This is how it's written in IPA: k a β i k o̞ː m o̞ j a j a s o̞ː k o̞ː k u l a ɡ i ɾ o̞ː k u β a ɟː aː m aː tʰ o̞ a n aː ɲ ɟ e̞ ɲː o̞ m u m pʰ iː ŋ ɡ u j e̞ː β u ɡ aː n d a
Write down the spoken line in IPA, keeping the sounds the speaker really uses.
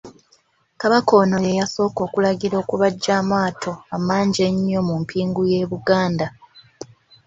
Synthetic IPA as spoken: k a β a k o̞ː n o̞ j e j a s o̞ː k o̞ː k u l a ɡ i ɾ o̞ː k u β a ɟː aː m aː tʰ o̞ a m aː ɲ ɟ e̞ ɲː o̞ m u m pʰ iː ŋ ɡ u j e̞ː β u ɡ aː n d a